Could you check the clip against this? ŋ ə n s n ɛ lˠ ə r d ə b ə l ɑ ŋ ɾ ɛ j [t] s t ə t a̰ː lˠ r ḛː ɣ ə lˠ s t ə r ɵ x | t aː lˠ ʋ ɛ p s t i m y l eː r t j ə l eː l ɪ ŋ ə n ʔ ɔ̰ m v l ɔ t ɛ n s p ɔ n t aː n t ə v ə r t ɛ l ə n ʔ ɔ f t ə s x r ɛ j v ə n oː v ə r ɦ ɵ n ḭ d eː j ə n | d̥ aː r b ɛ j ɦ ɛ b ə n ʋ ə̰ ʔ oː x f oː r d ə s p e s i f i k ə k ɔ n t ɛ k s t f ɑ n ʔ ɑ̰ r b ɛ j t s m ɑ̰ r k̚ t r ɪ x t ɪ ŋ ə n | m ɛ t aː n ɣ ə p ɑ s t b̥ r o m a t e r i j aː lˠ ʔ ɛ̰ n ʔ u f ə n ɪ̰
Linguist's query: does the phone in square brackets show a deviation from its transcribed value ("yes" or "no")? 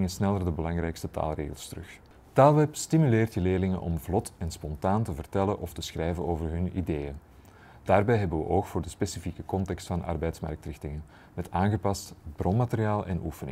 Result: yes